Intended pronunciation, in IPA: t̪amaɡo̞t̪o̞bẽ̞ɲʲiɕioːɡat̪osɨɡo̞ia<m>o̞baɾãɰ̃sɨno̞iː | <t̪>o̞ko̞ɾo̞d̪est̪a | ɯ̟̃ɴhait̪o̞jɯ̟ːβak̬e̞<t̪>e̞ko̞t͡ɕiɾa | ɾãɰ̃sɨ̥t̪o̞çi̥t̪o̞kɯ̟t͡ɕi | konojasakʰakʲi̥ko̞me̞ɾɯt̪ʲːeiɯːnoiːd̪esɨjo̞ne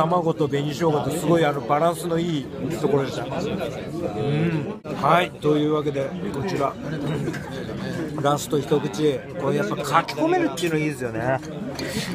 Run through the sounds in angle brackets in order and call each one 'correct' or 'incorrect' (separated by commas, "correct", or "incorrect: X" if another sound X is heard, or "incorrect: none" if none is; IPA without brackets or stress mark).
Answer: incorrect: n, correct, incorrect: d̪